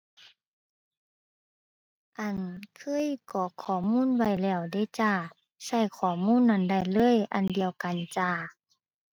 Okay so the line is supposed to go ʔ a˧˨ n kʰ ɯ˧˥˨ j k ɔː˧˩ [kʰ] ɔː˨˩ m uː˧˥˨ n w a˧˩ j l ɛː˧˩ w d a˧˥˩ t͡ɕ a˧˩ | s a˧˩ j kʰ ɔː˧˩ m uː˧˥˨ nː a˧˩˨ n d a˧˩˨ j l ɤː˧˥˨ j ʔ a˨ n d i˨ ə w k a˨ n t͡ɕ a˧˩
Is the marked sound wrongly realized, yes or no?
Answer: no